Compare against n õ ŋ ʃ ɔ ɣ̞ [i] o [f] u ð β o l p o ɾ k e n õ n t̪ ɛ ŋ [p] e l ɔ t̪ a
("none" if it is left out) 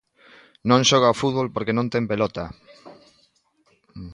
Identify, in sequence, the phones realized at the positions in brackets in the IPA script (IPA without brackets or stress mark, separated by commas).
a, f, p